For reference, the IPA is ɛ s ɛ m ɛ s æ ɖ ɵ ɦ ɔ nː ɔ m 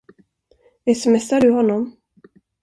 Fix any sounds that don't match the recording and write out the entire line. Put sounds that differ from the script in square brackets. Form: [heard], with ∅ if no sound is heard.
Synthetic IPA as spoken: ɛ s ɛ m ɛ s [a] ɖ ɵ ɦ ɔ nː ɔ m